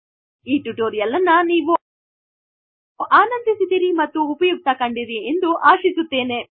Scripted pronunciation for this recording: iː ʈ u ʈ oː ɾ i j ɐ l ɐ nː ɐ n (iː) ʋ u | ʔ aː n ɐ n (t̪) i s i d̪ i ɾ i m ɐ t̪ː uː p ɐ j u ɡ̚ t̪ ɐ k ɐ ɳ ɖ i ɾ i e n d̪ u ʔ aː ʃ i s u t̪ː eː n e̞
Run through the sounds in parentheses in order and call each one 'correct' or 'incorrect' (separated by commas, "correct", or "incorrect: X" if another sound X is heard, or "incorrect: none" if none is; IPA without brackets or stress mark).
correct, incorrect: d̪